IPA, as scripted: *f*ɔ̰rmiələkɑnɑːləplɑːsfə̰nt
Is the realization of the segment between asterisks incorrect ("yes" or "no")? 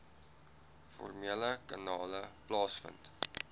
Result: no